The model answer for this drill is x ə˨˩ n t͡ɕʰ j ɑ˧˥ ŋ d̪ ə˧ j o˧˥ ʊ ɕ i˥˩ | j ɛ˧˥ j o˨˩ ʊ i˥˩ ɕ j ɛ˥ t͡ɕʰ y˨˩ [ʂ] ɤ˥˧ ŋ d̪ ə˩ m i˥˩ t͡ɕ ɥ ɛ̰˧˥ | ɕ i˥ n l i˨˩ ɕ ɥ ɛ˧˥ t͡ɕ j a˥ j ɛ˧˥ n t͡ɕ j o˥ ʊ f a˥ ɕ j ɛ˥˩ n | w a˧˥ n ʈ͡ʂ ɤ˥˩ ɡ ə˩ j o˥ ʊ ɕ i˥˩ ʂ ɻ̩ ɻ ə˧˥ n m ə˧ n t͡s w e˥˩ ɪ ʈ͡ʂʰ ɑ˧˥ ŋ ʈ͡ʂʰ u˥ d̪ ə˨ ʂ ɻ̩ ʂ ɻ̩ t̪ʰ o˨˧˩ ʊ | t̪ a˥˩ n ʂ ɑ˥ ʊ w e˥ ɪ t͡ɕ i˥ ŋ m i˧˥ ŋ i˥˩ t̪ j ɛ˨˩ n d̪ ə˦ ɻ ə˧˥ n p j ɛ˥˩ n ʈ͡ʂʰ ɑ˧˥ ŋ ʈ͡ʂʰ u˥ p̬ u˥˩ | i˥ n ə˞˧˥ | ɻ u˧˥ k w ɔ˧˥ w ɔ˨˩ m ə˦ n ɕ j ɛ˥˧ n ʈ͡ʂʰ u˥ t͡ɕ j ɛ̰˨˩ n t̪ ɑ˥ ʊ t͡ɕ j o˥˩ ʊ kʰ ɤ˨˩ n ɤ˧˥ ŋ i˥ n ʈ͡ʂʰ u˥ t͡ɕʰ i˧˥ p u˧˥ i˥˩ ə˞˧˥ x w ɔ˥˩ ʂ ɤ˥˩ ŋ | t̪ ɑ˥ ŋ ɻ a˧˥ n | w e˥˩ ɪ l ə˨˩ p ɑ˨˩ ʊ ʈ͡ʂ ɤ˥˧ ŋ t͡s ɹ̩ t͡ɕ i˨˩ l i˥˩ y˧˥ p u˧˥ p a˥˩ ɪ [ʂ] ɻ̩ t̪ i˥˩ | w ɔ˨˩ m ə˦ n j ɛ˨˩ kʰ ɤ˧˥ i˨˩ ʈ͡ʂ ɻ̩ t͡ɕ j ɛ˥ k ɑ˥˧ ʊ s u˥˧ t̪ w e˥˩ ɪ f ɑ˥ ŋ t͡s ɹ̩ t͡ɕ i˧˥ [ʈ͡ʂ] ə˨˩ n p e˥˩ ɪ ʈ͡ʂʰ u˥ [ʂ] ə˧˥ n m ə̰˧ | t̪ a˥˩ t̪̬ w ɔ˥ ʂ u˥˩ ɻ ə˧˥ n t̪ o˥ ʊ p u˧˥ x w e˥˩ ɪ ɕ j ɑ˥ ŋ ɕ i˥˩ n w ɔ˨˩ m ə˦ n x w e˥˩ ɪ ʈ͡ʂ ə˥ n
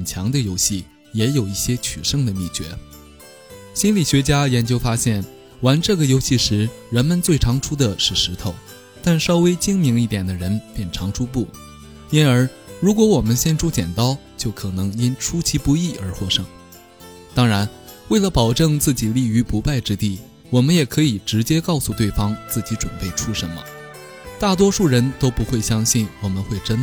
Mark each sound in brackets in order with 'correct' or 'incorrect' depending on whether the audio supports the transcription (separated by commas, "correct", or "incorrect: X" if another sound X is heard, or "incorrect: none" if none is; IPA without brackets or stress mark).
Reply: correct, incorrect: ʈ͡ʂ, correct, correct